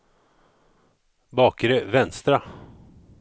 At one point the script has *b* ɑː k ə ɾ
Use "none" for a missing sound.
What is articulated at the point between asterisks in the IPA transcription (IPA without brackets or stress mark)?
b